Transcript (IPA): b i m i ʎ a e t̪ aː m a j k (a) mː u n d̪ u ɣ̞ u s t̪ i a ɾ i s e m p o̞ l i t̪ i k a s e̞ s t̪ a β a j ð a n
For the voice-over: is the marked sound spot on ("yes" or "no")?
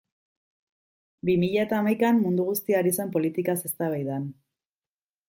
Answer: yes